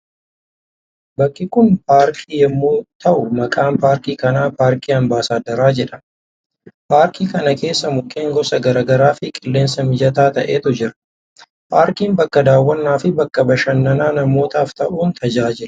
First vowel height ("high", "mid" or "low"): low